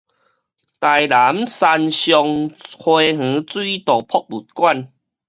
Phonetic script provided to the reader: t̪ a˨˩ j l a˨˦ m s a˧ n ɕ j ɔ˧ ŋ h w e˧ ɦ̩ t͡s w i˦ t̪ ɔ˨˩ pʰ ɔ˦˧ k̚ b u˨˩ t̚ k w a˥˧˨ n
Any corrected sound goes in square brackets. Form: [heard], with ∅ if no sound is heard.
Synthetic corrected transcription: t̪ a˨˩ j l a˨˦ m s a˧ n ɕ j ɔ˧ ŋ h w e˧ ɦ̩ t͡s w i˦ t̪ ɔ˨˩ pʰ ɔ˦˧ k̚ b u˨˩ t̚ k w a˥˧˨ n